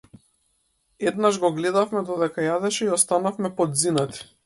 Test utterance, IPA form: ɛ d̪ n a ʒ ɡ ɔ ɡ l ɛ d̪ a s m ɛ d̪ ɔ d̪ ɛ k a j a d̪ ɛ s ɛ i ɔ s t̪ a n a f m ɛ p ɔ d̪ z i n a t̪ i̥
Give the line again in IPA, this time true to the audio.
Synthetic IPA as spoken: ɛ d̪ n a ʒ ɡ ɔ ɡ l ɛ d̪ a f m ɛ d̪ ɔ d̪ ɛ k a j a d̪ ɛ ʃ ɛ i ɔ s t̪ a n a f m ɛ p ɔ d̪ z i n a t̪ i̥